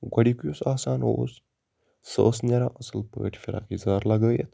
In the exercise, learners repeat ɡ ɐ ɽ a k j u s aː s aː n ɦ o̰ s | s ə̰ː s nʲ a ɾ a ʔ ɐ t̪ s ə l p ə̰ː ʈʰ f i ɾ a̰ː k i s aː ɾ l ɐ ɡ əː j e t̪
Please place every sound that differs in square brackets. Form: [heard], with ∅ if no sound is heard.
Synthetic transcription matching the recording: ɡ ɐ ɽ [i] k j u s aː s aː n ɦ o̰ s | s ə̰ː s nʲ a ɾ a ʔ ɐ [∅] s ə l p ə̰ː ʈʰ f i ɾ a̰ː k i [z] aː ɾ l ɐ ɡ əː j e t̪